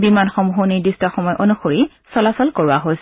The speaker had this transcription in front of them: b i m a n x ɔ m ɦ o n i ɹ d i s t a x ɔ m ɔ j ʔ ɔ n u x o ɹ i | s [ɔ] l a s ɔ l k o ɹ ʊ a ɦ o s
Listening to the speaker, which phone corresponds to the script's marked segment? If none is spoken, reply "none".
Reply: ɔ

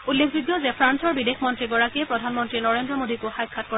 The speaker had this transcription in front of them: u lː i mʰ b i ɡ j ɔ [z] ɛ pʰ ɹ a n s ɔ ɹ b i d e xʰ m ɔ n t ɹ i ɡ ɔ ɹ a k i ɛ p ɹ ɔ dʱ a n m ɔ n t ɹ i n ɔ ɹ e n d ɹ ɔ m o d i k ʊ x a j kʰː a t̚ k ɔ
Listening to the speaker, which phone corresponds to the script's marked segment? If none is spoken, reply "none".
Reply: z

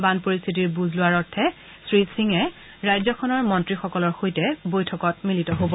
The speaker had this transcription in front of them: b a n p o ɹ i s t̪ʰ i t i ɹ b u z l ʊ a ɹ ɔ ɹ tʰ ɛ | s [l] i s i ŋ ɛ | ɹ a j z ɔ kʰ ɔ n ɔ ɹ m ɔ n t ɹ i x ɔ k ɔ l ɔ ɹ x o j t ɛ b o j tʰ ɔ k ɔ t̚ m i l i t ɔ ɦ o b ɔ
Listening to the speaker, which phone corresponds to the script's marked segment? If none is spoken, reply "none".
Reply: ɹ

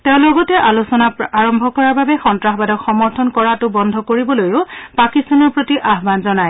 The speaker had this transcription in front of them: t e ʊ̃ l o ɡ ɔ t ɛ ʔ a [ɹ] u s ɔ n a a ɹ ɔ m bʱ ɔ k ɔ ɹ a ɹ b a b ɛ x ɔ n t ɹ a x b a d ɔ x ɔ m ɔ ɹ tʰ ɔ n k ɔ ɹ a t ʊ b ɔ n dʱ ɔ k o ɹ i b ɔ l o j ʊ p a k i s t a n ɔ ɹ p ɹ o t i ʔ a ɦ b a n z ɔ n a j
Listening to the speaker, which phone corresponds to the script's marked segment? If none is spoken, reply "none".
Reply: l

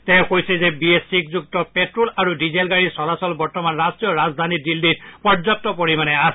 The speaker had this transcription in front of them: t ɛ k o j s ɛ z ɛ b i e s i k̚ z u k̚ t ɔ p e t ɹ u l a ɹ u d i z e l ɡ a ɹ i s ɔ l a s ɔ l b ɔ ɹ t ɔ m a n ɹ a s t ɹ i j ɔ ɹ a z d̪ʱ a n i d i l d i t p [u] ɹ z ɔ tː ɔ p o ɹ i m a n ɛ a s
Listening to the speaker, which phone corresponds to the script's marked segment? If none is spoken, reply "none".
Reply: ɔ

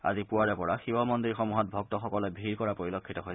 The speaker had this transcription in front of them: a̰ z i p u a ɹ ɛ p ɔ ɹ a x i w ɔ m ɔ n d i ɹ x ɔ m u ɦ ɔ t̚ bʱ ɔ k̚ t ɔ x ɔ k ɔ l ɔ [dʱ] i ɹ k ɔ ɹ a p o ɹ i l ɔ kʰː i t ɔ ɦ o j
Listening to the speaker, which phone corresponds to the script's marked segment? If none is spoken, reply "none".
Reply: bʱ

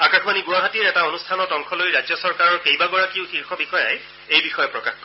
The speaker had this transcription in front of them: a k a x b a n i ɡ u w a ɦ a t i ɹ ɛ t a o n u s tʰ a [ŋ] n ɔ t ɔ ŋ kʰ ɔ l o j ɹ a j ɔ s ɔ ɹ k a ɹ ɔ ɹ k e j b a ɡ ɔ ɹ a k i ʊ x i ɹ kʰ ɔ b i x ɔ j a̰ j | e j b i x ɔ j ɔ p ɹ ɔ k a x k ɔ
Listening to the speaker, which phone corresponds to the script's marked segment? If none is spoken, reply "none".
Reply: none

